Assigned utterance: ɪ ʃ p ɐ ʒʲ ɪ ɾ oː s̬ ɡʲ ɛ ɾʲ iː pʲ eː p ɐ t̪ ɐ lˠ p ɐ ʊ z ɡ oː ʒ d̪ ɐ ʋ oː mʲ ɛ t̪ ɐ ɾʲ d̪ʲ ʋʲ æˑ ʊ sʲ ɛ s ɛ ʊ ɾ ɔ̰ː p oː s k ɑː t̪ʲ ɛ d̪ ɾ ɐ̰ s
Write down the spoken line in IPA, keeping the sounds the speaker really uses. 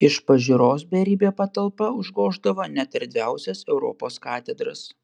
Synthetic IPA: ɪ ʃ p ɐ ʒʲ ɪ ɾ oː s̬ bʲ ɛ ɾʲ iː bʲ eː p ɐ t̪ ɐ lˠ p ɐ ʊ ʒ ɡ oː ʒ d̪ ɐ ʋ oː nʲ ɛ t̪ ɐ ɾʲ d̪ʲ ʋʲ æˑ ʊ sʲ ɛ s ɛ ʊ ɾ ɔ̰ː p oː s k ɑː t̪ʲ ɛ d̪ ɾ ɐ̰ s